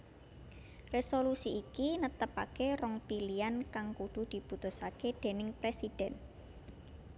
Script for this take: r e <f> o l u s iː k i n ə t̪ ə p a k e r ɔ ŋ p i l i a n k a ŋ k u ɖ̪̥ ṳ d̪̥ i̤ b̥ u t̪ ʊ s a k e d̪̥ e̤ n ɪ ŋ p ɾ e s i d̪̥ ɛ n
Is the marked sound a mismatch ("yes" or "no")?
yes